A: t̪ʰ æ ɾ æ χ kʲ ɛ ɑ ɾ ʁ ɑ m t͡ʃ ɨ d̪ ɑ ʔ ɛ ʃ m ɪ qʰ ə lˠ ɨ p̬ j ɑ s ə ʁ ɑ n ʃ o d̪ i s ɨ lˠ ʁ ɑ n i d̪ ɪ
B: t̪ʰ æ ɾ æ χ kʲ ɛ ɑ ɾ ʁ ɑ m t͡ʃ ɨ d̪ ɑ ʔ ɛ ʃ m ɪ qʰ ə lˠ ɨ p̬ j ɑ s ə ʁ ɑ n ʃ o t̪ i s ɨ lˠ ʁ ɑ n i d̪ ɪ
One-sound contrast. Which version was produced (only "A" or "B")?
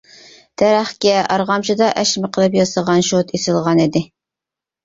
B